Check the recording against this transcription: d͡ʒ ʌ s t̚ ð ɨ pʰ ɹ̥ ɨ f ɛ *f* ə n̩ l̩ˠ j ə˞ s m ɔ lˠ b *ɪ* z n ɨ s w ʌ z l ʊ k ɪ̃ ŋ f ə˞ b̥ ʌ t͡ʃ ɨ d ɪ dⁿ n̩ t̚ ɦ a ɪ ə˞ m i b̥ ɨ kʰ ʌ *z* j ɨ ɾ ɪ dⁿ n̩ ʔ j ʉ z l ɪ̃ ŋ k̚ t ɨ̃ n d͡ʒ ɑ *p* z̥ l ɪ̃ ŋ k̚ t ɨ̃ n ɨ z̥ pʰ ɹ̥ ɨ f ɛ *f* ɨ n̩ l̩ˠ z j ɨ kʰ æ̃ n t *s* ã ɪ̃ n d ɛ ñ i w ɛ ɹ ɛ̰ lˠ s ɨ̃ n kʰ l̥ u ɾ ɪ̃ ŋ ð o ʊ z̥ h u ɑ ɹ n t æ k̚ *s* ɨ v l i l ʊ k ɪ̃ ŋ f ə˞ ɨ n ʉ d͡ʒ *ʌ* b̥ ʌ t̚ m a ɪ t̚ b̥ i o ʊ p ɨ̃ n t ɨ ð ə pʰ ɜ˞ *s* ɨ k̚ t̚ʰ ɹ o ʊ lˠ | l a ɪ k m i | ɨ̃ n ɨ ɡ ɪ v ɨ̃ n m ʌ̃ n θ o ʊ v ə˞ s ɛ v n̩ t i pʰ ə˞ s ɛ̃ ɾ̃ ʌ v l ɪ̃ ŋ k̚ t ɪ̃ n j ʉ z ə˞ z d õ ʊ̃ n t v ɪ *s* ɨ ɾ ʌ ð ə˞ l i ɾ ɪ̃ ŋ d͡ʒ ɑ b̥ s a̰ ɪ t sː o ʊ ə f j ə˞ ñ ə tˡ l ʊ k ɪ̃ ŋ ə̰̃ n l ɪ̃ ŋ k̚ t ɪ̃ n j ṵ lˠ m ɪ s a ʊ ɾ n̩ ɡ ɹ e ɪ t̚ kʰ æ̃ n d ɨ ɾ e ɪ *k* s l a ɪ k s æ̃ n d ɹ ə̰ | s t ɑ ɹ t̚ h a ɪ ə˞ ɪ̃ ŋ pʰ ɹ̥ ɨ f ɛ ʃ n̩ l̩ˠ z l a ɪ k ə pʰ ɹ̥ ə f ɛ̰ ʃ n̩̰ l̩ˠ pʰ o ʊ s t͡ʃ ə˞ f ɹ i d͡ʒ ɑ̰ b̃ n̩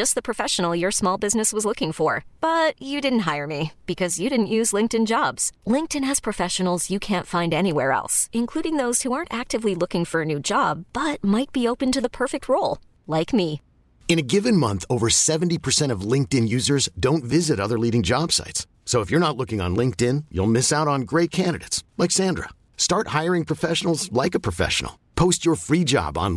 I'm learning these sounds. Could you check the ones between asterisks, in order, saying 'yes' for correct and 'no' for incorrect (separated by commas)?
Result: no, yes, yes, no, no, no, no, no, no, no, no